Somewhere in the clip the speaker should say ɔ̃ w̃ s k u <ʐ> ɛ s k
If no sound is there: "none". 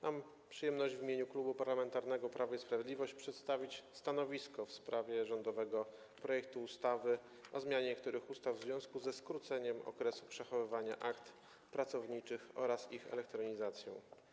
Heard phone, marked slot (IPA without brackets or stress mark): z